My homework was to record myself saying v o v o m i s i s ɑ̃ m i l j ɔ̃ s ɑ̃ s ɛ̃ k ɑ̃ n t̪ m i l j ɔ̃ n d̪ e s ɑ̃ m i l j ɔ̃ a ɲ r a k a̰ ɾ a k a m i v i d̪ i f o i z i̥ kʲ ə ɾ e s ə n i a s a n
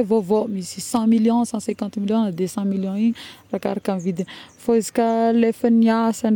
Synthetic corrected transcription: v o v o m i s i s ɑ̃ m i l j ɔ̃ s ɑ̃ s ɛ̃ k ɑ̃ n t̪ m i l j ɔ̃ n d̪ e s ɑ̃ m i l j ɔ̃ i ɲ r a k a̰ ɾ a k a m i v i d̪ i f o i z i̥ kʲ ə l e f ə n i a s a n